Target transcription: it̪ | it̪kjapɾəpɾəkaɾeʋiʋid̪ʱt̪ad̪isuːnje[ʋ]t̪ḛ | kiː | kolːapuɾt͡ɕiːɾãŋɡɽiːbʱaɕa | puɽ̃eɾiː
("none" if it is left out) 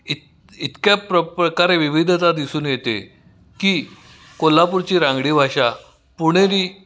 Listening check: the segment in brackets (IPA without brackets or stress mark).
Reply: none